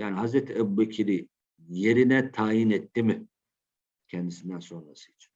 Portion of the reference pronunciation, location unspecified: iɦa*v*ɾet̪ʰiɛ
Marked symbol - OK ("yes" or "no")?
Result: no